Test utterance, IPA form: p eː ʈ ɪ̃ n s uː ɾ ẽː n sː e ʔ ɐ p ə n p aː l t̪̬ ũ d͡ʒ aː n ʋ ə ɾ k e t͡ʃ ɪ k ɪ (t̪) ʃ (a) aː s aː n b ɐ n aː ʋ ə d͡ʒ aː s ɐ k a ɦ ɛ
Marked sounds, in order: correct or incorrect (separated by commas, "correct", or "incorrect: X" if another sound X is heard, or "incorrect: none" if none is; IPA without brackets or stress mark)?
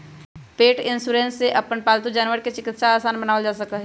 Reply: correct, correct